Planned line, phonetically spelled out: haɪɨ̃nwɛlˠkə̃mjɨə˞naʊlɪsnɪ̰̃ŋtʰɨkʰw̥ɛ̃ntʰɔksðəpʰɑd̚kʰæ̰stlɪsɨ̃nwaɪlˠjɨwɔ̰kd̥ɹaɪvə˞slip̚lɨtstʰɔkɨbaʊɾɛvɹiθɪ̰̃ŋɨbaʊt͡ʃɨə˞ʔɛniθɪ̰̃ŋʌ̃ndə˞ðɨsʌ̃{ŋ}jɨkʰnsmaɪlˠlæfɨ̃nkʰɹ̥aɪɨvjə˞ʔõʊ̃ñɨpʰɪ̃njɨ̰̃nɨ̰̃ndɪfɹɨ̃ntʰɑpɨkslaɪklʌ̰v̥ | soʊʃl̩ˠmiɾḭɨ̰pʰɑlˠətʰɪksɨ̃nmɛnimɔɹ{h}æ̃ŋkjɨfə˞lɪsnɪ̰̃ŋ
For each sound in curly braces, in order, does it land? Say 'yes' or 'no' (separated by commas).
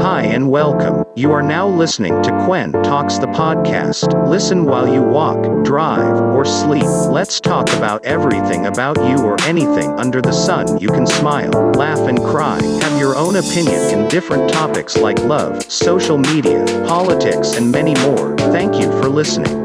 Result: no, no